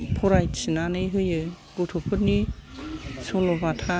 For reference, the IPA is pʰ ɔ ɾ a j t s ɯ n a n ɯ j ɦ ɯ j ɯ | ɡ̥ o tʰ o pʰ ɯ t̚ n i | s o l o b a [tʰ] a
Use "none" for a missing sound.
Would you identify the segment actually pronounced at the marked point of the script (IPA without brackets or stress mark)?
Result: tʰ